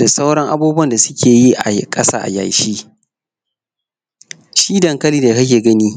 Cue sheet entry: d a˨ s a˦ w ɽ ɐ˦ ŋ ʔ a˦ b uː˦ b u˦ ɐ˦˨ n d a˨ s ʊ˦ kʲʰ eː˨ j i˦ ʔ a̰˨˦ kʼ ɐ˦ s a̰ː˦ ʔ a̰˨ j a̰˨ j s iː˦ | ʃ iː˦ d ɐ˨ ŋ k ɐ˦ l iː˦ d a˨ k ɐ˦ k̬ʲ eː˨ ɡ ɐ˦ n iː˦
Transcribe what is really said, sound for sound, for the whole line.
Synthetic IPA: d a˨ s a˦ w ɽ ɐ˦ ŋ ʔ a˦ b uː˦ b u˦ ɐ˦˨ n d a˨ s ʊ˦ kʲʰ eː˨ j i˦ ʔ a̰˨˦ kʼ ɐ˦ s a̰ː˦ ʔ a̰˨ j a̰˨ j ʃ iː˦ | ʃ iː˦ d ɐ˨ ŋ k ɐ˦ l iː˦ d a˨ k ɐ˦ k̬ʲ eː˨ ɡ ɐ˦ n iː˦